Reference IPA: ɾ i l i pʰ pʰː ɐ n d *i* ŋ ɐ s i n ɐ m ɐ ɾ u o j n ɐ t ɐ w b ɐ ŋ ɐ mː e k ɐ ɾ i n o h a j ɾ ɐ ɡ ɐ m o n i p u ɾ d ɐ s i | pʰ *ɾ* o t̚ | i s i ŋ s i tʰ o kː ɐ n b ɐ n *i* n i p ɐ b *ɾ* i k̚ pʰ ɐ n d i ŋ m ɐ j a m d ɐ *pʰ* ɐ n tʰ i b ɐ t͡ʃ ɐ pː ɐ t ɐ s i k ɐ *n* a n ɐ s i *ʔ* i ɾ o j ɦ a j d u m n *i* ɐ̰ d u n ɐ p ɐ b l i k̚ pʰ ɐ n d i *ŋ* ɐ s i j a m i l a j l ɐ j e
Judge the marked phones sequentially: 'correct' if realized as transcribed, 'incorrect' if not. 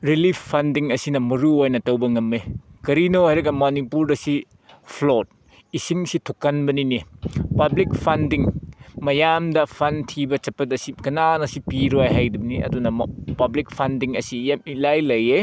correct, incorrect: l, correct, incorrect: l, correct, correct, incorrect: p, correct, correct

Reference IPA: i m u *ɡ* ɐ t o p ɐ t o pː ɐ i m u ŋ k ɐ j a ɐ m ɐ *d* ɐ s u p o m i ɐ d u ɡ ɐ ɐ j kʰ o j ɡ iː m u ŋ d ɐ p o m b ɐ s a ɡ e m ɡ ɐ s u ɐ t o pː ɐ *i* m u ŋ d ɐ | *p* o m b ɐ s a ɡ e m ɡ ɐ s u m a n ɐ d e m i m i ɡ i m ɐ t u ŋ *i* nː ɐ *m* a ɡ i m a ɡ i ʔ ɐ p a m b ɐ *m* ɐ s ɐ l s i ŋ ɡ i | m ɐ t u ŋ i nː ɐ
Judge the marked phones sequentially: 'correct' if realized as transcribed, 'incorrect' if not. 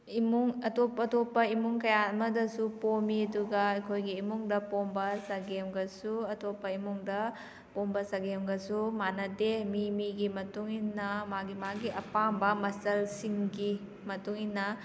incorrect: ŋ, correct, correct, correct, correct, correct, correct

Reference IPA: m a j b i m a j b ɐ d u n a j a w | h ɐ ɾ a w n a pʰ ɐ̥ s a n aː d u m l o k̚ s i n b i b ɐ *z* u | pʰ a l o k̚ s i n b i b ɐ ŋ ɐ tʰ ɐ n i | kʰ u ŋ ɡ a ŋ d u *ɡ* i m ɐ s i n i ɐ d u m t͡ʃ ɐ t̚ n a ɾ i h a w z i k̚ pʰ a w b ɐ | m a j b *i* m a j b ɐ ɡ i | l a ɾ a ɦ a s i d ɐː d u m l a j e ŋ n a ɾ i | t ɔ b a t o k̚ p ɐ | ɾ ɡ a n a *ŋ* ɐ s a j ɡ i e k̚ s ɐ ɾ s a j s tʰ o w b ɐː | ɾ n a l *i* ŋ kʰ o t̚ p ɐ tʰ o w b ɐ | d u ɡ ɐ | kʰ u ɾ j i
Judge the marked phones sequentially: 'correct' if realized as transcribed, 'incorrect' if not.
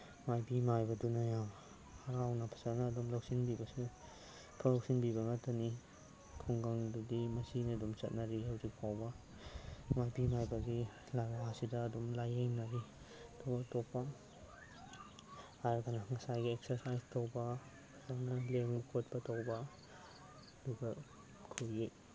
incorrect: s, incorrect: d, correct, correct, incorrect: e

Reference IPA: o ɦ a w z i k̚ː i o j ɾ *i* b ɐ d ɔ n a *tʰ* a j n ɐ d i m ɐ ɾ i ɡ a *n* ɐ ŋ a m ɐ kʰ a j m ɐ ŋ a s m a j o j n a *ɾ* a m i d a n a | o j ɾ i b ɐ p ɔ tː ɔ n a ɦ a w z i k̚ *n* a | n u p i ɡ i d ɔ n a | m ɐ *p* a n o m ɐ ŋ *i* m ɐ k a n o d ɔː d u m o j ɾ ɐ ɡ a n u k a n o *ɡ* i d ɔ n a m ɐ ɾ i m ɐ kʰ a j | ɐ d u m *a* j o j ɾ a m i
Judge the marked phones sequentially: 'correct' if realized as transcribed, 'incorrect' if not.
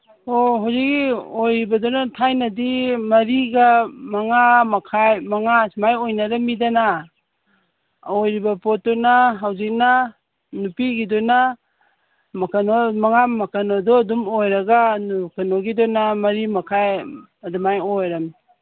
correct, correct, incorrect: m, correct, correct, incorrect: k, incorrect: a, correct, correct

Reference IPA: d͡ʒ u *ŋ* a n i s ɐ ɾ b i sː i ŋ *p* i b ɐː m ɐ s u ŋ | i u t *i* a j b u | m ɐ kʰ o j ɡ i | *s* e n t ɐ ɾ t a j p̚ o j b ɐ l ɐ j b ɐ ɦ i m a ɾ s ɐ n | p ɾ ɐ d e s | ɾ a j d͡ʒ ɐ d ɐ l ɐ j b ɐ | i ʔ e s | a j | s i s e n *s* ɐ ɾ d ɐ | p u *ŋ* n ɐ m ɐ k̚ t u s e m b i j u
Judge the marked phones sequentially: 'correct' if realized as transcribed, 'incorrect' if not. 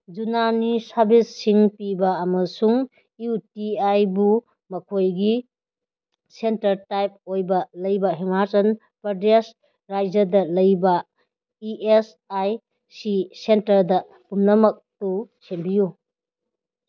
incorrect: n, correct, correct, correct, incorrect: t, incorrect: m

